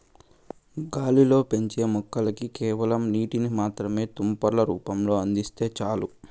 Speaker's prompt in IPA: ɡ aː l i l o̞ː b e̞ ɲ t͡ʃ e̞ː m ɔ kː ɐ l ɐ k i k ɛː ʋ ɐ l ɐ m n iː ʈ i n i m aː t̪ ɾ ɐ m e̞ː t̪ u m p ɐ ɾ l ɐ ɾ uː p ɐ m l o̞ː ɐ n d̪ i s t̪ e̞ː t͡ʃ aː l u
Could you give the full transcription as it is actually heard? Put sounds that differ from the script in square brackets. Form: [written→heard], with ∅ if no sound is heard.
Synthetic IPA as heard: ɡ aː l i l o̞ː [b→p] e̞ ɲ t͡ʃ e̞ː m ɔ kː ɐ l ɐ k i k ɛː ʋ ɐ l ɐ m n iː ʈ i n i m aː t̪ ɾ ɐ m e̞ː t̪ u m p ɐ ɾ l ɐ ɾ uː p ɐ m l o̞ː ɐ n d̪ i s t̪ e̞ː t͡ʃ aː l u